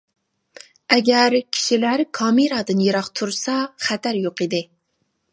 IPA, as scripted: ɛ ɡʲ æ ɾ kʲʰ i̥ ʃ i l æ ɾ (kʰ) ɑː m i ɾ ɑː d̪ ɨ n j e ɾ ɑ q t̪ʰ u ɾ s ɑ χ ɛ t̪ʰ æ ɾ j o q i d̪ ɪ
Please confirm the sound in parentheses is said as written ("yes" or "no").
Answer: yes